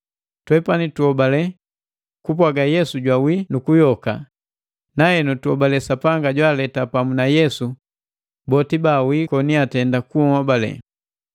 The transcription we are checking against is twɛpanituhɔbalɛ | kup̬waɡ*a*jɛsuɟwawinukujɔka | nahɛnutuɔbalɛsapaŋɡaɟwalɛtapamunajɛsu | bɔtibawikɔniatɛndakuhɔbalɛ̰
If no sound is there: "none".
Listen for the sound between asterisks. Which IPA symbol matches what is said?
a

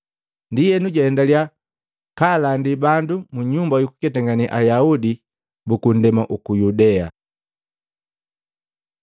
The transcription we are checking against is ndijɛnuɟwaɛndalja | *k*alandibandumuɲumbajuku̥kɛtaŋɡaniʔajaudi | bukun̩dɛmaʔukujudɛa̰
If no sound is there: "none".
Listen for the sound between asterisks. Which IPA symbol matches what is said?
k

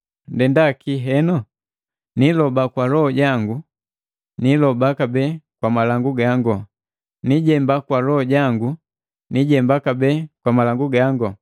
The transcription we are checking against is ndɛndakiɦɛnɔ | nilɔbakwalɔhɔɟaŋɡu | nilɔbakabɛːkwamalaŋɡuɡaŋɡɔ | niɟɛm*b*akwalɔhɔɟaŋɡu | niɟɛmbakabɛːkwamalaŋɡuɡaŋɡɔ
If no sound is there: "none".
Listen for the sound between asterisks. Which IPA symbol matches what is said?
b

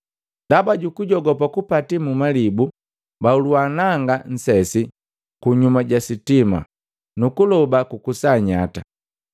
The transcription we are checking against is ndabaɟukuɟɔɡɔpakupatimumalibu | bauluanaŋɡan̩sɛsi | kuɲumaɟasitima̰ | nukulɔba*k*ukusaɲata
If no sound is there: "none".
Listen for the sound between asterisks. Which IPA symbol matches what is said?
k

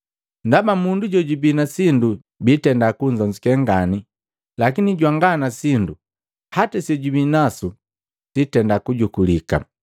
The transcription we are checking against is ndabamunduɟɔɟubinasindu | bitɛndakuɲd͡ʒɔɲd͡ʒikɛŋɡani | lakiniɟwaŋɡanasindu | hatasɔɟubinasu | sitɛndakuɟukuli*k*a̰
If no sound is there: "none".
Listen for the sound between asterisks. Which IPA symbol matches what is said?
k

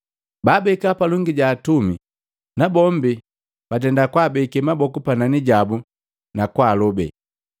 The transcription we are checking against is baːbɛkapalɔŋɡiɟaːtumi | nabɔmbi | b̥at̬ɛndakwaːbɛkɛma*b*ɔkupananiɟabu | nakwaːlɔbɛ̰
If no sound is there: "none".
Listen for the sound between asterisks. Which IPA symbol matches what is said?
b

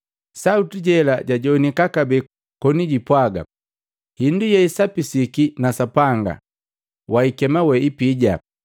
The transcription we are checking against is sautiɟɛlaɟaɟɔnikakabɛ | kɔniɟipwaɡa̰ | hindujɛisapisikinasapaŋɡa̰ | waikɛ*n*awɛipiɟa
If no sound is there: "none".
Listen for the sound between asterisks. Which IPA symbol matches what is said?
m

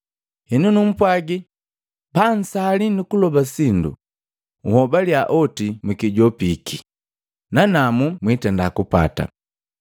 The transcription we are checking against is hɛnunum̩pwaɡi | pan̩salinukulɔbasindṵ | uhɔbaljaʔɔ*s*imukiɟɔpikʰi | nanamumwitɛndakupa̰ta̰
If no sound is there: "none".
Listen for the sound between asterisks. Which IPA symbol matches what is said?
t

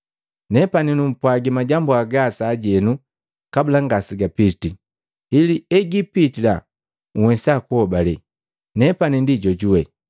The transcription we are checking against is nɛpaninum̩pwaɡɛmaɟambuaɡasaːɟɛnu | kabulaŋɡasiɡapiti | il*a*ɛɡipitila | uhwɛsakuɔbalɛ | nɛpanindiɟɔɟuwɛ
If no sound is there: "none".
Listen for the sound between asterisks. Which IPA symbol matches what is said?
i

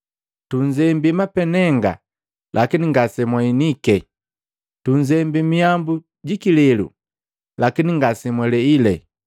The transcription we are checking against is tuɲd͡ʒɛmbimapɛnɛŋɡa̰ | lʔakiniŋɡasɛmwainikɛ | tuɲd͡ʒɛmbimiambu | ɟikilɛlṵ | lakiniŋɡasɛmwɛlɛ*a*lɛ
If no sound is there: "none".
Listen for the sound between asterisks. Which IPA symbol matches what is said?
i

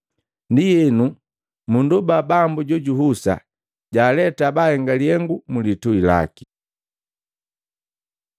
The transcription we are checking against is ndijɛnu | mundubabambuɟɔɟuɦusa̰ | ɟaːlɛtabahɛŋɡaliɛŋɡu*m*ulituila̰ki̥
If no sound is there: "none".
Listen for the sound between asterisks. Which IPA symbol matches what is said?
m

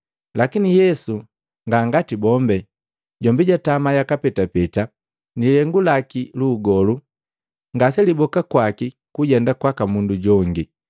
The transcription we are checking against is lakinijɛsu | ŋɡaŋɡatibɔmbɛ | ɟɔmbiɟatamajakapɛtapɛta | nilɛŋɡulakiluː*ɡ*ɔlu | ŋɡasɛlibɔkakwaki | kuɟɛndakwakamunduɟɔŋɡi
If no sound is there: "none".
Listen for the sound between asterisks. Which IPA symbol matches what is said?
ɡ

